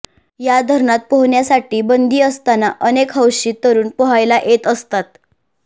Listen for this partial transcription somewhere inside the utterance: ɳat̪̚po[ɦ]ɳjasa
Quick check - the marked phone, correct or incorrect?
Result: correct